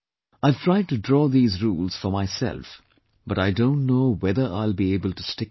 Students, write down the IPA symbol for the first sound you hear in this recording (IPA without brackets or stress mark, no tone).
a